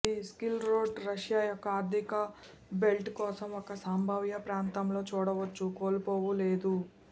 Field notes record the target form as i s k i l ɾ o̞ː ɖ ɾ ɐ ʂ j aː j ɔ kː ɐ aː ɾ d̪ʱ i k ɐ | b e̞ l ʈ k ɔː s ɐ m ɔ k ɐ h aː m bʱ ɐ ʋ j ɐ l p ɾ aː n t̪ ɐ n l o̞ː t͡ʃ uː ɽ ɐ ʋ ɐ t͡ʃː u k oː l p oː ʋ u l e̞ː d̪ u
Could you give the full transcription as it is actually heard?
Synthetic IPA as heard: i s k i l ɾ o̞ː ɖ ɾ ɐ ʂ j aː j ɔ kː ɐ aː ɾ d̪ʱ i k ɐ | b e̞ l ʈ k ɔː s ɐ m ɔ k ɐ s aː m bʱ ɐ ʋ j ɐ p ɾ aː n t̪ ɐ m l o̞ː t͡ʃ uː ɽ ɐ ʋ ɐ t͡ʃː u k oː l p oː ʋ u l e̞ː d̪ u